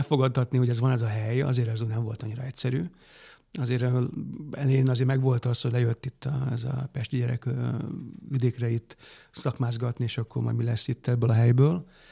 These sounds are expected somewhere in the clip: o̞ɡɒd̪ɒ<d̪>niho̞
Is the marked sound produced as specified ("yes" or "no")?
no